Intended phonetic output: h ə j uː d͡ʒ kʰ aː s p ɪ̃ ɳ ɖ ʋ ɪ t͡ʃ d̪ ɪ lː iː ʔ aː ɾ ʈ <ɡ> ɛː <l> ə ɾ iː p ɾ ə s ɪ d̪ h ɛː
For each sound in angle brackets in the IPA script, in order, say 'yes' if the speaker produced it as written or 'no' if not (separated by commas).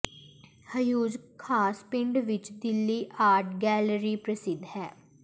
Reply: yes, yes